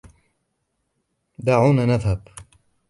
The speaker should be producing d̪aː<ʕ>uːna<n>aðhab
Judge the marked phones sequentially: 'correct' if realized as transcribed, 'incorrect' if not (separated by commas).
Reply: correct, correct